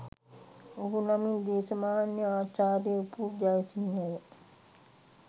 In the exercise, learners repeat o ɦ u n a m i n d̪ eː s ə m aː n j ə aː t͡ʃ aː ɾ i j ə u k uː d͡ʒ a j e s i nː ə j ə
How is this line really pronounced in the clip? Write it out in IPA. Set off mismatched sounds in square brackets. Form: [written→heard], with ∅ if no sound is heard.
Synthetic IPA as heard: o ɦ u n a m i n d̪ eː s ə m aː n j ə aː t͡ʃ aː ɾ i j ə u [k→p] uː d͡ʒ a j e s i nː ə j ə